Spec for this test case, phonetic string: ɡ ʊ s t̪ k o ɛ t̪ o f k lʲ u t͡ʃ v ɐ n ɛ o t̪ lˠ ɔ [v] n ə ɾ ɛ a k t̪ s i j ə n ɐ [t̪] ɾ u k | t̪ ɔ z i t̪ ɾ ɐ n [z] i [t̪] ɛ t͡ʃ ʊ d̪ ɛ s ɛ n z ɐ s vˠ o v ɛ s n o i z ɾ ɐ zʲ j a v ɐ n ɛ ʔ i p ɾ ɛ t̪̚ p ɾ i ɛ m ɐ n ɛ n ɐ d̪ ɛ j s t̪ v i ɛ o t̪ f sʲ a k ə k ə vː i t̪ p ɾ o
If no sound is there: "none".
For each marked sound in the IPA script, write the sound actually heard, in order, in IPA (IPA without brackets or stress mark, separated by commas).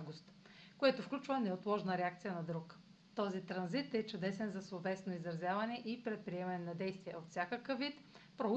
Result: ʒ, d̪, z, t̪